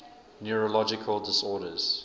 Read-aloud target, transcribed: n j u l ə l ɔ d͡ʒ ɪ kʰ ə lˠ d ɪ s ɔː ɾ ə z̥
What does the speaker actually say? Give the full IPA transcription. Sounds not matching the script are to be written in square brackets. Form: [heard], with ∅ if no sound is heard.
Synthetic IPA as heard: n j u [ɹ] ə l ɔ d͡ʒ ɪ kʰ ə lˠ d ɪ s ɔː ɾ ə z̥